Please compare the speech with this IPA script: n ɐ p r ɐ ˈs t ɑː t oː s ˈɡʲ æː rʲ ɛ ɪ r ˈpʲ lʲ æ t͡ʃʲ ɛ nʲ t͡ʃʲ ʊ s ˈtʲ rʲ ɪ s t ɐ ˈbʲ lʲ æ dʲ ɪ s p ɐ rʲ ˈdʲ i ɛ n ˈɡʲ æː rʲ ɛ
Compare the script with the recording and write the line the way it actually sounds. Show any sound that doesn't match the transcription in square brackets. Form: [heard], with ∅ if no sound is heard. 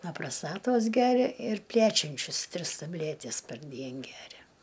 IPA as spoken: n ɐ p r ɐ ˈs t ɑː t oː s ˈɡʲ æː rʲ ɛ ɪ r ˈpʲ lʲ æ t͡ʃʲ ɛ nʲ t͡ʃʲ ʊ s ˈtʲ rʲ ɪ s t ɐ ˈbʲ lʲ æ [tʲ] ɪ s p ɐ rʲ ˈdʲ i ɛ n ˈɡʲ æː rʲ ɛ